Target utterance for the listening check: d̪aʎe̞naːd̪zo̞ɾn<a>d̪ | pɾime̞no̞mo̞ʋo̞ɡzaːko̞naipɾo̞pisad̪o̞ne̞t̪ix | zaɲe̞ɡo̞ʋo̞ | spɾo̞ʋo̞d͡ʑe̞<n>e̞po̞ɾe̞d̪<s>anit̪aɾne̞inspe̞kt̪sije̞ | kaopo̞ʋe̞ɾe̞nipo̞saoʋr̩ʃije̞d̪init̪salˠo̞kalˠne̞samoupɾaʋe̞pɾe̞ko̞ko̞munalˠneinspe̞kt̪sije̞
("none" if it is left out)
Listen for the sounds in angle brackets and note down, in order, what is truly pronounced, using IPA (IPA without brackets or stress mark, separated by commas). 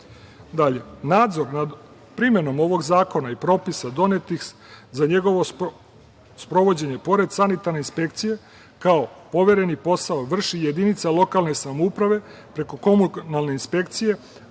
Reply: a, ɲ, s